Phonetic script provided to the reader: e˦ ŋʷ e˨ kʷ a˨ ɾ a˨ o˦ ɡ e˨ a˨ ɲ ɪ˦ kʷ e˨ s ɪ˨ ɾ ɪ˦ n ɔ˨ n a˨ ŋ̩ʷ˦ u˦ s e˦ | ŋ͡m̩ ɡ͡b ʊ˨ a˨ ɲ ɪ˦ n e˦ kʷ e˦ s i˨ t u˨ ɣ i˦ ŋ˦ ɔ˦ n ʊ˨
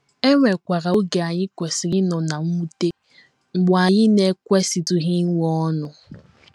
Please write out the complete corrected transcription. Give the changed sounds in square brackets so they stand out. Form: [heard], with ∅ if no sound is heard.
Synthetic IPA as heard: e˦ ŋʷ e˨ kʷ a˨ ɾ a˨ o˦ ɡ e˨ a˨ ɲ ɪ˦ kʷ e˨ s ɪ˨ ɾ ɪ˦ n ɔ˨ n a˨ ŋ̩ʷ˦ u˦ [t] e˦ | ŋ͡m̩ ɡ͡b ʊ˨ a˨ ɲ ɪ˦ n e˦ kʷ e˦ s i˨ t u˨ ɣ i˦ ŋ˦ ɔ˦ n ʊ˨